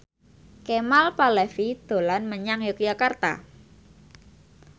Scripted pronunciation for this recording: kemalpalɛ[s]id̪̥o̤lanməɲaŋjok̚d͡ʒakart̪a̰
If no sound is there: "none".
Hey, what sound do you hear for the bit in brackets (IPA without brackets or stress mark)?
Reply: f